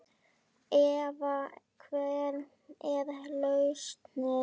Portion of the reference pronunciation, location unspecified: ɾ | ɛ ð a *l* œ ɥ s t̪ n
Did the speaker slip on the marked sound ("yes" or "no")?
no